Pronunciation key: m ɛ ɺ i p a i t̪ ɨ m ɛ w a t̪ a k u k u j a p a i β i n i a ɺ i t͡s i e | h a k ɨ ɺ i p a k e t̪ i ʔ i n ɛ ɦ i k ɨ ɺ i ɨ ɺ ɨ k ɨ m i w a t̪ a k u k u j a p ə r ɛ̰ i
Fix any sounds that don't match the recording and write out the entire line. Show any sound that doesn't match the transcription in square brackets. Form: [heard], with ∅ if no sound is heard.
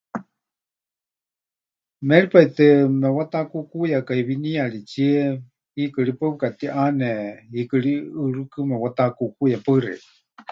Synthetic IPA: m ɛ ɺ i p a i t̪ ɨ m ɛ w a t̪ a k u k u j a [k] a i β i n i a ɺ i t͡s i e | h [i] k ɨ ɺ i p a k [a] t̪ i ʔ [a] n ɛ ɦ i k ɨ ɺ i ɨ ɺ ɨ k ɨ m [ɛ] w a t̪ a k u k u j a p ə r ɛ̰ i